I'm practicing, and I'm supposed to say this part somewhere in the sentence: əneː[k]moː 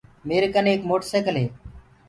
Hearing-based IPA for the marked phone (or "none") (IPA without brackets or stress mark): k